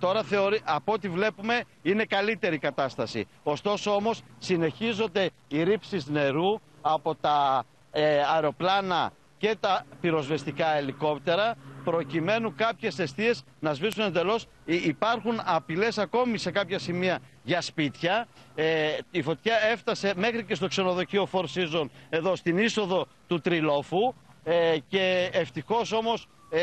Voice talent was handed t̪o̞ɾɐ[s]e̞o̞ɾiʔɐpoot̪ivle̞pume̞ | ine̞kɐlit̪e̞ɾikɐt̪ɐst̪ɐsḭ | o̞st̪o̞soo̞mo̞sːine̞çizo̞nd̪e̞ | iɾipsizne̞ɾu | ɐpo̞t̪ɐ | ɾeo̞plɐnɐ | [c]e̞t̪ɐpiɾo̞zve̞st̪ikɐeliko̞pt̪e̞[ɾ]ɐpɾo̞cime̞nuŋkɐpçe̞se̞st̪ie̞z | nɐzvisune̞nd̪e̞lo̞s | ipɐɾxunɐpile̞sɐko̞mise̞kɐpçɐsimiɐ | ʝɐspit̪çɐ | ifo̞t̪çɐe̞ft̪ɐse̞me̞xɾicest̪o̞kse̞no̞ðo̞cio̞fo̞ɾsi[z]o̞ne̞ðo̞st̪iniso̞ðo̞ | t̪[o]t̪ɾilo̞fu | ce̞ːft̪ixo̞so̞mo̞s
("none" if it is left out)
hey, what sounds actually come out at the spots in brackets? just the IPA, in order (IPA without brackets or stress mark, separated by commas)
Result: θ, c, ɾ, z, u